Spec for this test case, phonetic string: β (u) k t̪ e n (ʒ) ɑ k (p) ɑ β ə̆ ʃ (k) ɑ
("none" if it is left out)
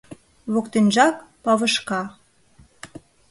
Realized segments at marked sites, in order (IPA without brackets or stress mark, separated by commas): o, ʒ, p, k